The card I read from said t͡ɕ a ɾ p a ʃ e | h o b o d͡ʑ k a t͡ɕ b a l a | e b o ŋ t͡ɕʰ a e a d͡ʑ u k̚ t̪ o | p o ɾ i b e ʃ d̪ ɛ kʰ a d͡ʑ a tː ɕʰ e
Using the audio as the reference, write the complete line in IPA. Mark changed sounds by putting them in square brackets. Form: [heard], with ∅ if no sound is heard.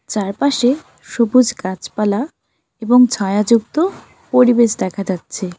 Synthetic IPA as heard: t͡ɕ a ɾ p a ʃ e | [ʃ] o b [u] d͡ʑ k a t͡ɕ [p] a l a | e b o ŋ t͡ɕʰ a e a d͡ʑ u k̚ t̪ o | p o ɾ i b e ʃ d̪ ɛ kʰ a d͡ʑ a tː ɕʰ e